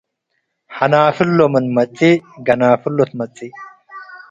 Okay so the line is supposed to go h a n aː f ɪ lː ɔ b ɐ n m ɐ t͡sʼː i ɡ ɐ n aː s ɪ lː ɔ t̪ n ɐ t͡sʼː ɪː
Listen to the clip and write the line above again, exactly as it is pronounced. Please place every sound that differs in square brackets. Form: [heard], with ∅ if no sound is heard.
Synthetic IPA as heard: h [ɐ] n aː f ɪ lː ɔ [m] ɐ n m ɐ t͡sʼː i ɡ ɐ n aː [f] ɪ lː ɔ t̪ [m] ɐ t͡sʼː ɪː